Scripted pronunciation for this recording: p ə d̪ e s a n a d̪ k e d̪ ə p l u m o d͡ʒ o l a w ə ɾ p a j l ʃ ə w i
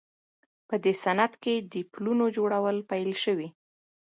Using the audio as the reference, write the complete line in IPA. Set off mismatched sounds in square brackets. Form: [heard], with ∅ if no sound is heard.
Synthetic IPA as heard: p ə d̪ e s a n a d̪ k e d̪ ə p l u [n] o d͡ʒ o [ɽ] a w ə [l] p a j l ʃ ə w i